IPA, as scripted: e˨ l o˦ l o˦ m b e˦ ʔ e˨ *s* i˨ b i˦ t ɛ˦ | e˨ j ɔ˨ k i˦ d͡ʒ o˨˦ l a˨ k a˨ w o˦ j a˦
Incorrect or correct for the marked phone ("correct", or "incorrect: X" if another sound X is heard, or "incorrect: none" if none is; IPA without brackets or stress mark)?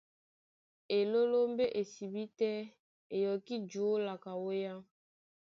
correct